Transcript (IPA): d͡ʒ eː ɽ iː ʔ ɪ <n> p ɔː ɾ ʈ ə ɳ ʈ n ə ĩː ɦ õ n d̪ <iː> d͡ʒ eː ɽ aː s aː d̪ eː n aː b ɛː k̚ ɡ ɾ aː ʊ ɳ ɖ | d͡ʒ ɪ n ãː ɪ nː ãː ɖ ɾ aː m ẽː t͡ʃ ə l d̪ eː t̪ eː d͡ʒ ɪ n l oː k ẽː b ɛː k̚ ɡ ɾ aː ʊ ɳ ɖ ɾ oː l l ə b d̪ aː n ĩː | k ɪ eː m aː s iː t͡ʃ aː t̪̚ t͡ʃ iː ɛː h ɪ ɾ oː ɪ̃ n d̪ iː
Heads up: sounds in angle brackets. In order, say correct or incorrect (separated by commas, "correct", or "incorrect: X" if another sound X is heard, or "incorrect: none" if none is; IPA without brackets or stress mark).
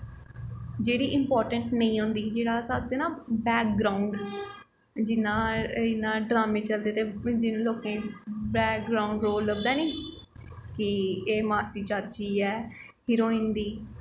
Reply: incorrect: m, correct